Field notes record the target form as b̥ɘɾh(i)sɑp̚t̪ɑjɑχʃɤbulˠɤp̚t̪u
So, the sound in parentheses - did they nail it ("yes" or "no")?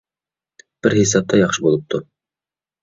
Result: yes